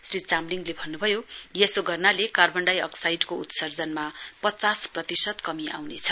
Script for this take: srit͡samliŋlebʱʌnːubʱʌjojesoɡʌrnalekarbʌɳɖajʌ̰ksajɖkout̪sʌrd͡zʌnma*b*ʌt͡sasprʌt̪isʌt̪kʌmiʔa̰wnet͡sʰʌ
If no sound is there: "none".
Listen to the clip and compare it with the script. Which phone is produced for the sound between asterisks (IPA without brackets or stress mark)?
p